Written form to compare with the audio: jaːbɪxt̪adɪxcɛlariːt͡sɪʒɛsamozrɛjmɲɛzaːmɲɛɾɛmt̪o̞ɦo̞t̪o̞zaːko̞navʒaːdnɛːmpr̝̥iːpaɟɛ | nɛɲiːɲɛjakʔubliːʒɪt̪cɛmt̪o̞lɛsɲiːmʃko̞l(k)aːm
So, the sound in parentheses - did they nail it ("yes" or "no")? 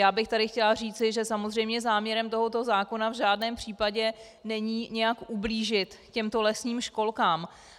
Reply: yes